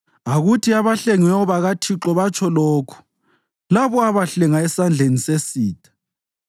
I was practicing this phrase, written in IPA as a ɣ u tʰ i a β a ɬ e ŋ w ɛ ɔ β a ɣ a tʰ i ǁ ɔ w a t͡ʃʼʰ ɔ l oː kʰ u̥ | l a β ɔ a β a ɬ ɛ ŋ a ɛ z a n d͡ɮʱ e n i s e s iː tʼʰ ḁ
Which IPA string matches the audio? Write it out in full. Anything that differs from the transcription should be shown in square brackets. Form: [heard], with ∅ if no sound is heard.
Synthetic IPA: a ɣ u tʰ i a β a ɬ e ŋ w ɛ ɔ β a ɣ a tʰ i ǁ ɔ [β] a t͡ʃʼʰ ɔ l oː kʰ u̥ | l a β ɔ a β a ɬ ɛ ŋ a ɛ [s] a n d͡ɮʱ e n i s e s iː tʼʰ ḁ